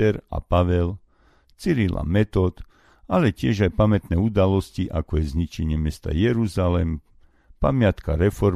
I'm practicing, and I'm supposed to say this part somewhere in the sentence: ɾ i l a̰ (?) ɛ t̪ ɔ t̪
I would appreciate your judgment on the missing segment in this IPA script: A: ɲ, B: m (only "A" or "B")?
B